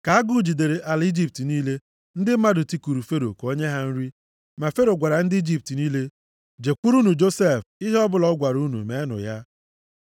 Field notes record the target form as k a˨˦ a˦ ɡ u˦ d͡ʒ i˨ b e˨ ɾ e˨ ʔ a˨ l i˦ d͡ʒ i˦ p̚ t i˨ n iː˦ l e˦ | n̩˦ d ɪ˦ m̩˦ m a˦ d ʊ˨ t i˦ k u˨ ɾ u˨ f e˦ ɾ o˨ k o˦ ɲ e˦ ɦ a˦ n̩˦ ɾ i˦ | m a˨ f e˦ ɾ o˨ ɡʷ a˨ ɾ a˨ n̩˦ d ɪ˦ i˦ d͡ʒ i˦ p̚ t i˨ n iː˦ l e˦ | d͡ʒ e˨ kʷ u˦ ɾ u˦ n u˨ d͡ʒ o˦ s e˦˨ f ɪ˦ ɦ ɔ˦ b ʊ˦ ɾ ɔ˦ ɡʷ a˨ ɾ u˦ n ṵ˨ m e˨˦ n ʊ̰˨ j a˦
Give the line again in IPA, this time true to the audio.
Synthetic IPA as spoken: k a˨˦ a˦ ɡ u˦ d͡ʒ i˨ d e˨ ɾ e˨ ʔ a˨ l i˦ d͡ʒ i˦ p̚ t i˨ n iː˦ l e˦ | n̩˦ d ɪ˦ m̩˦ m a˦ d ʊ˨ t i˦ k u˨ ɾ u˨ f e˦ ɾ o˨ k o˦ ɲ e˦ ɦ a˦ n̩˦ ɾ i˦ | m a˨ f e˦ ɾ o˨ ɡʷ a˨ ɾ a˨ n̩˦ d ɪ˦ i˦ d͡ʒ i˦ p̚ t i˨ n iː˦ l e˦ | d͡ʒ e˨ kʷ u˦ ɾ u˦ n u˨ d͡ʒ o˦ s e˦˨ f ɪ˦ ɦ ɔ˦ b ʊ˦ l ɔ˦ ɡʷ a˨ ɾ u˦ n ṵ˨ m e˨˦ n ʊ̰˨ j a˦